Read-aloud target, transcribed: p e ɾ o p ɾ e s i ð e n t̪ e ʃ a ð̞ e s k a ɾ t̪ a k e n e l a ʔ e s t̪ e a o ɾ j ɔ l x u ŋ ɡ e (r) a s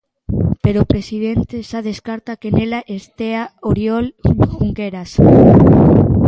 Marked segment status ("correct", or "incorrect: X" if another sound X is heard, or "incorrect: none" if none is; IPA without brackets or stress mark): incorrect: ɾ